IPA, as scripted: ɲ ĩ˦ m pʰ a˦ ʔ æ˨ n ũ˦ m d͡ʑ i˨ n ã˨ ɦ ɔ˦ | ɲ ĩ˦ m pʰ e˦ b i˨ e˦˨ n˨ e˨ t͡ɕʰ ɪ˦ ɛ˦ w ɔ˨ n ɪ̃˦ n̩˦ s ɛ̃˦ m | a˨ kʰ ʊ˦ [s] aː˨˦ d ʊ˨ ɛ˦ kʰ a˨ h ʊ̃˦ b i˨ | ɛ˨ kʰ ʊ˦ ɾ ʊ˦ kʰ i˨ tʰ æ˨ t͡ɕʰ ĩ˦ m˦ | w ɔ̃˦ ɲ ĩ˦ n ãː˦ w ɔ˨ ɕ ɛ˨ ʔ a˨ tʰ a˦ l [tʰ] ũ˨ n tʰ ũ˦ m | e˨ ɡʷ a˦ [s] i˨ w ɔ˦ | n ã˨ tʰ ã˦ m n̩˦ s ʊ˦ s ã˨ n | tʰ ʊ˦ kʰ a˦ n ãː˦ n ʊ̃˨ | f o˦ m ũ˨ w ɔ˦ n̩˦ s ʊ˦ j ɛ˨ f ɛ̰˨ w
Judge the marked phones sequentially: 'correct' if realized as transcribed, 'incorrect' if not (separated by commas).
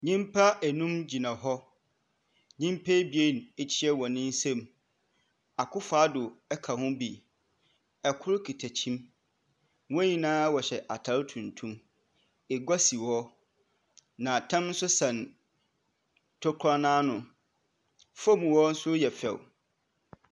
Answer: incorrect, correct, correct